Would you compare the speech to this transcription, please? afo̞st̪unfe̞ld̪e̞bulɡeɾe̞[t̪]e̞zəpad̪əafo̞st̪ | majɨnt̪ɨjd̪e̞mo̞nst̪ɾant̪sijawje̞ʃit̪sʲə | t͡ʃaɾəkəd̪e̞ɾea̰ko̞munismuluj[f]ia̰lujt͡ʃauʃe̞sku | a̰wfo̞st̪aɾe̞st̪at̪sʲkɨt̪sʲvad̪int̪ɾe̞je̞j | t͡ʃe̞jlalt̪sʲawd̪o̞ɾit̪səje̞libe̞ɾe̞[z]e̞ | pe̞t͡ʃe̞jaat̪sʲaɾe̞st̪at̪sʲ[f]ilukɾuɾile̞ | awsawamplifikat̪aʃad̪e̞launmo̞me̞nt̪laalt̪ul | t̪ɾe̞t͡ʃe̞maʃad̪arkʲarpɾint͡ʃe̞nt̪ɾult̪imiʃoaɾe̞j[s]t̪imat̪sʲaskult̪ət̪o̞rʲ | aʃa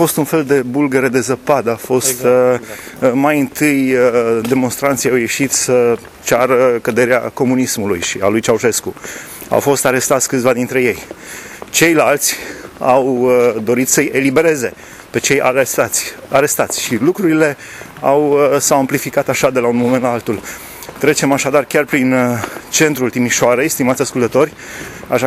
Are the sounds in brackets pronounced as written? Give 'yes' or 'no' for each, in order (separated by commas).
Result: no, no, yes, no, yes